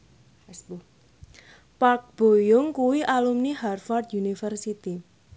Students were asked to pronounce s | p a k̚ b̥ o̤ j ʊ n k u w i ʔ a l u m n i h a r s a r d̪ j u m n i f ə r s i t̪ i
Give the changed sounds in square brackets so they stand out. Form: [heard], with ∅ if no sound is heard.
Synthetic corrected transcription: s | p a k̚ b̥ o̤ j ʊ [ŋ] k u w i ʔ a l u m n i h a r [f] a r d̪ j u [∅] n i f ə r s i t̪ i